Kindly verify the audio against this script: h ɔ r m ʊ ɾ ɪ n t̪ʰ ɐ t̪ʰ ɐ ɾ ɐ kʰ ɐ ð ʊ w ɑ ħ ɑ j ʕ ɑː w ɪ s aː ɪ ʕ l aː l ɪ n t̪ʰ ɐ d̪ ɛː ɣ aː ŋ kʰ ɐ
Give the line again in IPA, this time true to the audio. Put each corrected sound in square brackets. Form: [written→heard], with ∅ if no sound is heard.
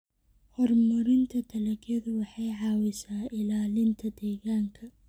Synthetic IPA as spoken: h ɔ r m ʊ ɾ ɪ n t̪ʰ ɐ t̪ʰ ɐ [ɾ→l] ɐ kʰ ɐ ð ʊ w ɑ ħ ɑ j ʕ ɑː w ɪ s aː ɪ [ʕ→∅] l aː l ɪ n t̪ʰ ɐ d̪ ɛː ɣ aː ŋ kʰ ɐ